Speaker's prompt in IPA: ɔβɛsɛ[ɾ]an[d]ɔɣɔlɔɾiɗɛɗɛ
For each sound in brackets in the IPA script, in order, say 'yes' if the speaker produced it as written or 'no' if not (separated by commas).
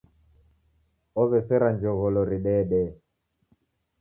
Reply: yes, no